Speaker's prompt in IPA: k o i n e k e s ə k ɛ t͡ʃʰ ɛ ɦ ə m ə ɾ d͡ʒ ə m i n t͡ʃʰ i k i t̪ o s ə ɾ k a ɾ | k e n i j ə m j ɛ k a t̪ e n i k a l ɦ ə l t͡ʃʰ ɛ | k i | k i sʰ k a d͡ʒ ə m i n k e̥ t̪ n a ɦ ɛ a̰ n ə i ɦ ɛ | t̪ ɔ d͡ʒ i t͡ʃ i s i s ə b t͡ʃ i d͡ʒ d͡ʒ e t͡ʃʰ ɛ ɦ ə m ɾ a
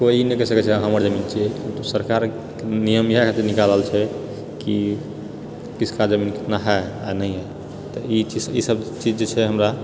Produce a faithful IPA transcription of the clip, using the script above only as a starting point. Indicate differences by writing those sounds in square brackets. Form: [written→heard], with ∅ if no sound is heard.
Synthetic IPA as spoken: k o i n e k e s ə k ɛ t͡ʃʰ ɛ ɦ ə m ə ɾ d͡ʒ ə m i n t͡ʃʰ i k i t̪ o s ə ɾ k a ɾ | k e n i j ə m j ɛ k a t̪ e n i k a l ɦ ə l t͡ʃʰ ɛ | k i | k i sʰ k a d͡ʒ ə m i n k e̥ t̪ n a ɦ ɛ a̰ n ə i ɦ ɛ | t̪ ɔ [d͡ʒ→∅] i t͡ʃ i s i s ə b t͡ʃ i d͡ʒ d͡ʒ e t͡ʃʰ ɛ ɦ ə m ɾ a

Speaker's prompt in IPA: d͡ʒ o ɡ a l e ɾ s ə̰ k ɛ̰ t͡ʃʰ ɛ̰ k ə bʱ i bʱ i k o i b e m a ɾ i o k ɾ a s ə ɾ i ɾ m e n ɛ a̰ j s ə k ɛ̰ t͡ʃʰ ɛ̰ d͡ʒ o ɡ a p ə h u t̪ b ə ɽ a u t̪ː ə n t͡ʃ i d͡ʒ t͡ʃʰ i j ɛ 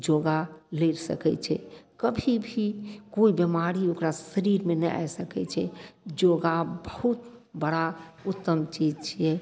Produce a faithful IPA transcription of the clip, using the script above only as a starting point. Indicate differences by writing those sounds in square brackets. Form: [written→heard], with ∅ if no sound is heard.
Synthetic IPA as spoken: d͡ʒ o ɡ a l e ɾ s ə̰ k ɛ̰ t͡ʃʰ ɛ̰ k ə bʱ i bʱ i k o i b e m a ɾ i o k ɾ a s ə ɾ i ɾ m e n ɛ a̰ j s ə k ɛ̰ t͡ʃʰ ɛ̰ d͡ʒ o ɡ a [p→b] ə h u t̪ b ə ɽ a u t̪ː ə [n→m] t͡ʃ i d͡ʒ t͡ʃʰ i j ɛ

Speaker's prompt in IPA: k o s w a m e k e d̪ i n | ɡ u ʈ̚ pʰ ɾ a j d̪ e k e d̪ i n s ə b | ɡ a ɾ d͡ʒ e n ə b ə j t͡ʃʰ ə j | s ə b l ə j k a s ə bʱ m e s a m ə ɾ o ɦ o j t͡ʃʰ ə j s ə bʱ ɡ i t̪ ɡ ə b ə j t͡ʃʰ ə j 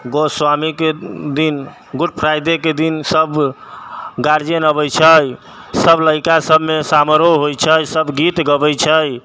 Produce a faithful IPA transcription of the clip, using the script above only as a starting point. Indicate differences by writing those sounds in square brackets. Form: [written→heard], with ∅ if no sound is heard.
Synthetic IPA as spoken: [k→ɡ] o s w a m [e→i] k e d̪ i n | ɡ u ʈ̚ pʰ ɾ a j d̪ e k e d̪ i n s ə b | ɡ a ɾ d͡ʒ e n ə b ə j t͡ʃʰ ə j | s ə b l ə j k a s ə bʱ m e s a m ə ɾ o ɦ o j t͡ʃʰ ə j s ə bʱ ɡ i t̪ ɡ ə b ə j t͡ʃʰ ə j

